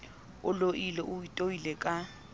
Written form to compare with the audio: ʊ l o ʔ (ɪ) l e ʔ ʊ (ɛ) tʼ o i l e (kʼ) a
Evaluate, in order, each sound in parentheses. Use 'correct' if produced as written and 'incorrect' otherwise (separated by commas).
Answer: incorrect, incorrect, correct